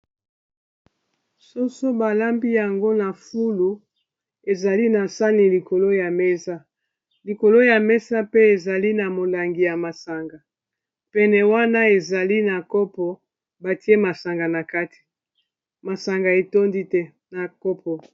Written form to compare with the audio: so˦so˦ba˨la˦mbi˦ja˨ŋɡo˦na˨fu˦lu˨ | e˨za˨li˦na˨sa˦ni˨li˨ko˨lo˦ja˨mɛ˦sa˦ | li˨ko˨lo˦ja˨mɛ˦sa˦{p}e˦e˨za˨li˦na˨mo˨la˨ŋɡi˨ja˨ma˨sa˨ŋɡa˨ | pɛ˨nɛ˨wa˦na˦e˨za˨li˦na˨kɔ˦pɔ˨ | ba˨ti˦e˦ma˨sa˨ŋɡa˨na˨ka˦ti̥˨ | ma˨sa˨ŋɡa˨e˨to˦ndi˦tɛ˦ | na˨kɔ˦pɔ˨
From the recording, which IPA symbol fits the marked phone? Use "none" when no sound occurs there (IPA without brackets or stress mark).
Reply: p